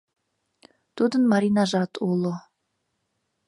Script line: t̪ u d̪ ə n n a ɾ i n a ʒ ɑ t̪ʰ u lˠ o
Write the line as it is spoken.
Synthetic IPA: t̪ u d̪ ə n m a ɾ i n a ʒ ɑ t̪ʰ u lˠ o